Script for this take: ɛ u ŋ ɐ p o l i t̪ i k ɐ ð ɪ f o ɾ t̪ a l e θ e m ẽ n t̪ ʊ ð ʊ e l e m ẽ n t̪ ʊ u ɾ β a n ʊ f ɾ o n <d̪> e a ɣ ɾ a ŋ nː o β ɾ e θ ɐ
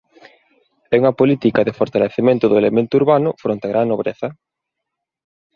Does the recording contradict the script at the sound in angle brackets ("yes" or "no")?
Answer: yes